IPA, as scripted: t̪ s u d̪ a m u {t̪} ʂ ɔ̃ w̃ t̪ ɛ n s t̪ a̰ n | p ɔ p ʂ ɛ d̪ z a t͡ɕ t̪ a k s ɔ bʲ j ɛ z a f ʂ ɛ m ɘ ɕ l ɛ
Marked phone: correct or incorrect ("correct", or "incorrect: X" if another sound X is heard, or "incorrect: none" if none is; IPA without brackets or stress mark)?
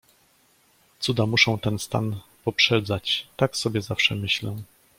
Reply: incorrect: none